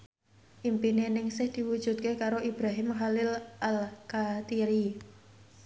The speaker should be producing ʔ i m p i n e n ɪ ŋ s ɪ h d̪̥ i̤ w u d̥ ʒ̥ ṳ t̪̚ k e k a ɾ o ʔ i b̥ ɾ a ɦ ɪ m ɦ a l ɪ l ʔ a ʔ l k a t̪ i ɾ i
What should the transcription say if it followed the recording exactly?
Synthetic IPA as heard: ʔ i m p i n e n ɪ ŋ s ɪ h d̪̥ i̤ w u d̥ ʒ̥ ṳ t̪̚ k e k a ɾ o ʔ i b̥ ɾ a ɦ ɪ m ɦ a l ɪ l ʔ a l k a t̪ i ɾ i